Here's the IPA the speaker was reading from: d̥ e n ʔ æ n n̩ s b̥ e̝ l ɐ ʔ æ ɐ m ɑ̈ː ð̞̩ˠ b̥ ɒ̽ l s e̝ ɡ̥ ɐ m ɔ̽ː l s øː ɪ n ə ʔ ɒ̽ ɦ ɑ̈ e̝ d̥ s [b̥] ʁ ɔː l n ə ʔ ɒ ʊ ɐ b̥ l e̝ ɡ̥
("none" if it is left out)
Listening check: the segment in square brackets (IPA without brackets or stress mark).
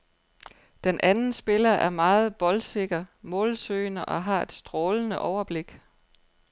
d̥